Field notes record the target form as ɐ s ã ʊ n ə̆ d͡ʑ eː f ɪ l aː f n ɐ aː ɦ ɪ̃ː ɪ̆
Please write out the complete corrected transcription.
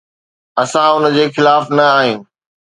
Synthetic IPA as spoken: ɐ s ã ʊ n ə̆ d͡ʑ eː x ɪ l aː f n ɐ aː ɦ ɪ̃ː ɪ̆